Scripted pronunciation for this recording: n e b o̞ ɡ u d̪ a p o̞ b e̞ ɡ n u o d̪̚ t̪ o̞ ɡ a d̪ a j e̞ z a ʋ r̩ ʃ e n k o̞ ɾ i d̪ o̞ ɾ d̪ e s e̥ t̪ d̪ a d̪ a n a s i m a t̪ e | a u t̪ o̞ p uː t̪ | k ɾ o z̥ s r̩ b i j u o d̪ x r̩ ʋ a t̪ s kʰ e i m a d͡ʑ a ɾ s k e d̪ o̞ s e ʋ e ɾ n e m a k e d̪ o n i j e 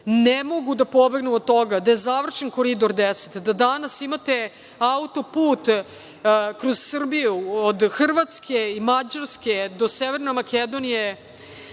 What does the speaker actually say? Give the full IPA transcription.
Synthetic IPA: n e m o̞ ɡ u d̪ a p o̞ b e̞ ɡ n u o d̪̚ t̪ o̞ ɡ a d̪ a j e̞ z a ʋ r̩ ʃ e n k o̞ ɾ i d̪ o̞ ɾ d̪ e s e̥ t̪ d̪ a d̪ a n a s i m a t̪ e | a u t̪ o̞ p uː t̪ | k ɾ o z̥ s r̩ b i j u o d̪ x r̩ ʋ a t̪ s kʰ e i m a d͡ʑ a ɾ s k e d̪ o̞ s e ʋ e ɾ n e m a k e d̪ o n i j e